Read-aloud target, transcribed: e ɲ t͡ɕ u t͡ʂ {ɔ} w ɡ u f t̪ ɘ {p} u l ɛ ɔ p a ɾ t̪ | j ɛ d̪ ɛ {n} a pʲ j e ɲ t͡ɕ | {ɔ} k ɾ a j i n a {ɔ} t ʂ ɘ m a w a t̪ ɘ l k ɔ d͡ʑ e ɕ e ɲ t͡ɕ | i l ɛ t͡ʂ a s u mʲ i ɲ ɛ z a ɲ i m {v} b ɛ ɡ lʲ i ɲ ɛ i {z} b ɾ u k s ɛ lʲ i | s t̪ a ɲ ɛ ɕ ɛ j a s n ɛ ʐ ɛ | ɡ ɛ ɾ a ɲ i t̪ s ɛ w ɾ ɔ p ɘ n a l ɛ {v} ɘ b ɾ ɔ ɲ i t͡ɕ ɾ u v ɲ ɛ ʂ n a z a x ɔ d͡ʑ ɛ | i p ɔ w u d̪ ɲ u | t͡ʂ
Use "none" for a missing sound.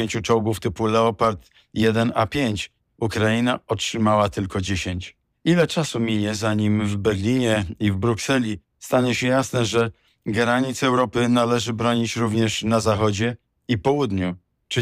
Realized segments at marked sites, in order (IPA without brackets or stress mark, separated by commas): ɔ, p, n, u, ɔ, v, v, ʐ